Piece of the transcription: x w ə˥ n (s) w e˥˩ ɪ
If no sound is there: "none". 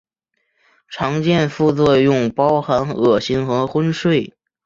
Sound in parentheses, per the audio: ʂ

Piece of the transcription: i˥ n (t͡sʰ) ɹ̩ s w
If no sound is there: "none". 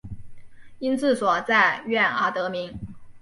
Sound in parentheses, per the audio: t͡s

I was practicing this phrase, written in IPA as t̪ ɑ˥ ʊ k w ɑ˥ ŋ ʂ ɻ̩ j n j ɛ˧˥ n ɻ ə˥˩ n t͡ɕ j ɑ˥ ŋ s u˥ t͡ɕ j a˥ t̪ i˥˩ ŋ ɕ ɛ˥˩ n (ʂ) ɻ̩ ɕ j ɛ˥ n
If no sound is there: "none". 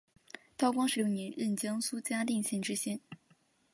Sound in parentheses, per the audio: ʈ͡ʂ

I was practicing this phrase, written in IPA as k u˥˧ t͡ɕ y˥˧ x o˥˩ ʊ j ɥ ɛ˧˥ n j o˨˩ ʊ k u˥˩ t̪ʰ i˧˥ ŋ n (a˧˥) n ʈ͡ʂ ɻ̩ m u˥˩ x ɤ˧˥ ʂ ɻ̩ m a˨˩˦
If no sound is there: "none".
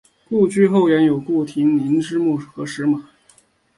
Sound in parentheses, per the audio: i˧˥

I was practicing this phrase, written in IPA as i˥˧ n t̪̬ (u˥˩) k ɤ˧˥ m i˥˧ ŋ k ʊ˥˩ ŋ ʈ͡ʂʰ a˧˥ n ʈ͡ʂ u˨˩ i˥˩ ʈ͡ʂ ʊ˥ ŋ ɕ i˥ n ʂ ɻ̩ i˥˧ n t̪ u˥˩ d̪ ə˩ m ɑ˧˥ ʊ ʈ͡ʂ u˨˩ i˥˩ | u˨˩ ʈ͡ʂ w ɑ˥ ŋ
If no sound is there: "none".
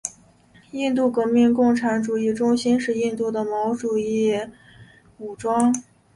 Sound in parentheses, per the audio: u˥˩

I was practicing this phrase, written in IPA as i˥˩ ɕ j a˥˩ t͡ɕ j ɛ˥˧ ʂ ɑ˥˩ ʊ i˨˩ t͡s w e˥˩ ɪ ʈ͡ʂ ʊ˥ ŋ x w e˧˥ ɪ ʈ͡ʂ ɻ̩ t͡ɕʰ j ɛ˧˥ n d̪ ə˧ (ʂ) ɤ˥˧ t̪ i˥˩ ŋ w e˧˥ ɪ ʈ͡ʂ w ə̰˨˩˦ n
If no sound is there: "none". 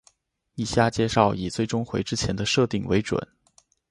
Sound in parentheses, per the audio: ʂ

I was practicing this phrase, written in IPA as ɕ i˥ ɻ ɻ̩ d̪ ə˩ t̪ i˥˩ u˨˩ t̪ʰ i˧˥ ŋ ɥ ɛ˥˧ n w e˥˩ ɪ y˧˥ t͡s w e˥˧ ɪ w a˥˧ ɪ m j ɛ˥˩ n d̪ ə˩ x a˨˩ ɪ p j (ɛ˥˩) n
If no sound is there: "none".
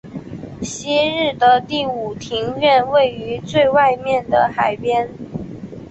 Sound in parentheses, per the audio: ɛ˥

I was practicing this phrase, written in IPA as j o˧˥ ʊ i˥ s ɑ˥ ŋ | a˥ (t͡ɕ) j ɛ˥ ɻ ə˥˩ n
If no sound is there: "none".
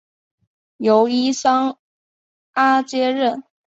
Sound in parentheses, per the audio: t͡ɕ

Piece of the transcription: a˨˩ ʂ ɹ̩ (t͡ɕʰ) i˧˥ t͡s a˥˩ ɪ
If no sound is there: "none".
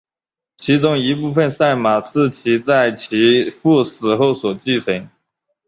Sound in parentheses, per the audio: t͡ɕʰ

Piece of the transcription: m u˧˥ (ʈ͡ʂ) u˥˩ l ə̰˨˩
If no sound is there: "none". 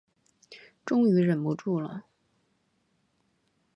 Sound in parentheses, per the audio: ʈ͡ʂ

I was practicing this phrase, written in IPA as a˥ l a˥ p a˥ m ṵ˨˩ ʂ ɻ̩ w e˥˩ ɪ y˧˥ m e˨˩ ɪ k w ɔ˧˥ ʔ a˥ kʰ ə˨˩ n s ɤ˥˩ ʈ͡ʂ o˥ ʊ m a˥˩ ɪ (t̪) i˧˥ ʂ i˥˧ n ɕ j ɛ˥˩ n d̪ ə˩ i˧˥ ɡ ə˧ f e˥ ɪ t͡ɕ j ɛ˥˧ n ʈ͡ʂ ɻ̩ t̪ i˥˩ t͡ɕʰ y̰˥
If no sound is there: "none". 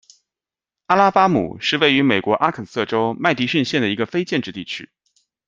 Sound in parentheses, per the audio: t̪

